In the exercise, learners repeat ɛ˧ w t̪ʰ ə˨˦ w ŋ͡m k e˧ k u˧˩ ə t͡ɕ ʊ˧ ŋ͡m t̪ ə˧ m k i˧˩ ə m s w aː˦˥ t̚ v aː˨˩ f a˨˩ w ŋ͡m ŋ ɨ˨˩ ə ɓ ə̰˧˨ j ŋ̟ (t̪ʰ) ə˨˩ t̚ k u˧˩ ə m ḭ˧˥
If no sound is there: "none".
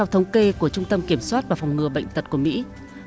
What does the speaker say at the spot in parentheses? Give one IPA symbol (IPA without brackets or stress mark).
t̪